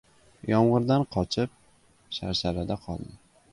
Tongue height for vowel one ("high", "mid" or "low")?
low